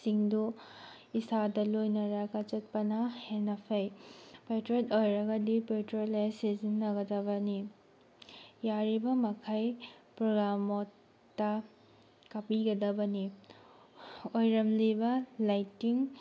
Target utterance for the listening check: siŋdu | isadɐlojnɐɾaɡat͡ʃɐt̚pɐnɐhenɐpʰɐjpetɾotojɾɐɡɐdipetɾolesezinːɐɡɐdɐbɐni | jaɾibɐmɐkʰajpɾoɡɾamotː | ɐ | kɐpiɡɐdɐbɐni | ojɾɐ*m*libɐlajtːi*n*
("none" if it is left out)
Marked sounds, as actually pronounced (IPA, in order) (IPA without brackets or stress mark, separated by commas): m, ŋ